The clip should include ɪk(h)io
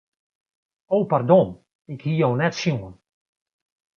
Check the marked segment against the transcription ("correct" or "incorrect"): correct